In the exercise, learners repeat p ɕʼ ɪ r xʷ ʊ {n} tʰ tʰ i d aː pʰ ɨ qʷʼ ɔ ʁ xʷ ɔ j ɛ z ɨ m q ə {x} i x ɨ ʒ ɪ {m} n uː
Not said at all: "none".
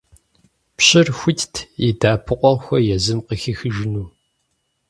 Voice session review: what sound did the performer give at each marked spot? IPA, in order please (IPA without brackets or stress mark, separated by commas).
none, x, none